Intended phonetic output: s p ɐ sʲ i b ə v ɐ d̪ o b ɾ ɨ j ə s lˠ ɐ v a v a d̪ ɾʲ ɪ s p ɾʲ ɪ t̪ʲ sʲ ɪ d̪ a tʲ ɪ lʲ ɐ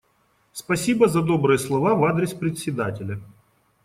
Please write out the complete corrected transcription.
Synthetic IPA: s p ɐ sʲ i b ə z ɐ d̪ o b ɾ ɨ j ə s lˠ ɐ v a v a d̪ ɾʲ ɪ s p ɾʲ ɪ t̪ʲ sʲ ɪ d̪ a tʲ ɪ lʲ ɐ